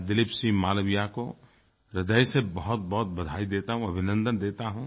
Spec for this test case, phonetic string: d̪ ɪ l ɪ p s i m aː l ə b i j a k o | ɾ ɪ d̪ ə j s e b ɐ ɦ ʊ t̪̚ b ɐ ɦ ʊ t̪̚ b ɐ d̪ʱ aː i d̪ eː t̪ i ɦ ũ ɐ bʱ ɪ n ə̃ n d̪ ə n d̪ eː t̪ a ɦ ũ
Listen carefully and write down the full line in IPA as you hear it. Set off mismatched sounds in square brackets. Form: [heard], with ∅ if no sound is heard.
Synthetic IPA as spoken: d̪ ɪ l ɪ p s i m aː l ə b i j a k o | ɾ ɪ d̪ ə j s e b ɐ ɦ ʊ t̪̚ b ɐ ɦ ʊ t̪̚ b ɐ d̪ʱ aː i d̪ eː t̪ [a] ɦ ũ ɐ bʱ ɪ n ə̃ n d̪ ə n d̪ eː t̪ a ɦ ũ